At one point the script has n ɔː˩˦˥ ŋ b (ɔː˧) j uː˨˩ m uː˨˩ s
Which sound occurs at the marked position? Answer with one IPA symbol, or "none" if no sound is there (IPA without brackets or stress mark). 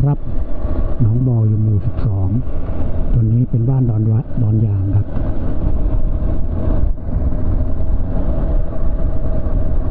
ɔː˧